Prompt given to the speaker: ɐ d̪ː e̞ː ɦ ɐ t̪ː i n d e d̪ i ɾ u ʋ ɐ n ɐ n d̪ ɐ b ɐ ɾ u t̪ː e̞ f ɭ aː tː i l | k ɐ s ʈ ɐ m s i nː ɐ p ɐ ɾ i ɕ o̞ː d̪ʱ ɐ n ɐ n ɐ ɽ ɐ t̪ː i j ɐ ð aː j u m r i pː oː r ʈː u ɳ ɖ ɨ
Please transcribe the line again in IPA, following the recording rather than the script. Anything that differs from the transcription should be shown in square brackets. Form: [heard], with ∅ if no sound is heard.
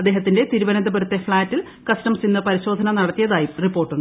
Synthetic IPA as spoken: ɐ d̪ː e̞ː ɦ ɐ t̪ː i n d e [t̪] i ɾ u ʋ ɐ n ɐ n d̪ ɐ b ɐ ɾ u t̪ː e̞ f ɭ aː tː i l | k ɐ s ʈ ɐ m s i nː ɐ p ɐ ɾ i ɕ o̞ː d̪ʱ ɐ n ɐ n ɐ ɽ ɐ t̪ː i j ɐ ð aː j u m r i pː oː r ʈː u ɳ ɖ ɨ